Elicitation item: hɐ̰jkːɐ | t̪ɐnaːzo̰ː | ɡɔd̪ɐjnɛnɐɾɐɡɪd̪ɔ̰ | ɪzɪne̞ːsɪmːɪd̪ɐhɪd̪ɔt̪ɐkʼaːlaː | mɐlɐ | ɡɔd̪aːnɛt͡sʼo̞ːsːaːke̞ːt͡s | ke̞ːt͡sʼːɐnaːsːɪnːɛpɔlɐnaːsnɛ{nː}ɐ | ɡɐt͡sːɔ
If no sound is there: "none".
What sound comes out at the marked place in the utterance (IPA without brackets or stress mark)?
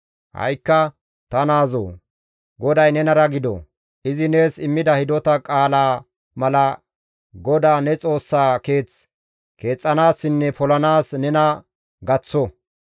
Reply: n